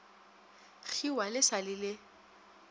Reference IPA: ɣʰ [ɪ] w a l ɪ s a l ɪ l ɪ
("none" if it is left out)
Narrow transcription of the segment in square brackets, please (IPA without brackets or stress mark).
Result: i